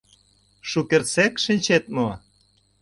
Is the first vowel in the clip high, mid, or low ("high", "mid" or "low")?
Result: high